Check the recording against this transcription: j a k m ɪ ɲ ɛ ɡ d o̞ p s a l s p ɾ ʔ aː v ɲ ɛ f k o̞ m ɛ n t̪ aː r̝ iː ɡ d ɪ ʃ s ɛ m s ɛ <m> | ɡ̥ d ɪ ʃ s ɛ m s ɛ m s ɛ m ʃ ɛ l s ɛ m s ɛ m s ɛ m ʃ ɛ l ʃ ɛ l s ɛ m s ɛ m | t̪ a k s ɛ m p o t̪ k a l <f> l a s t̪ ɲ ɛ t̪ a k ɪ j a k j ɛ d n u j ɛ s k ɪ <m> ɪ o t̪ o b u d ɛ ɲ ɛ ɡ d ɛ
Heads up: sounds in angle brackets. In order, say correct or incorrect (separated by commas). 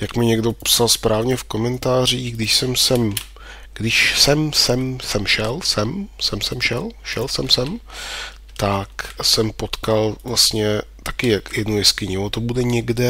correct, incorrect, incorrect